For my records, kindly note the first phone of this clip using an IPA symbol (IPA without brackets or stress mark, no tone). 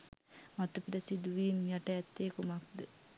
m